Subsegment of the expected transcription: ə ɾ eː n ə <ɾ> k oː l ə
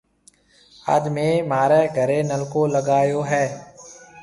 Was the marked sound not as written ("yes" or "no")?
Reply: yes